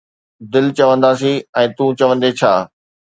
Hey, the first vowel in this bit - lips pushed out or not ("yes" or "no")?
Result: no